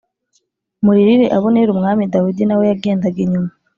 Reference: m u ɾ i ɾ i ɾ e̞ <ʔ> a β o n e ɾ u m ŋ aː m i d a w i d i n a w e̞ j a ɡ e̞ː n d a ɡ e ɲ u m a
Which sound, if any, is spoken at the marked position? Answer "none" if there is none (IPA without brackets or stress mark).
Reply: ʔ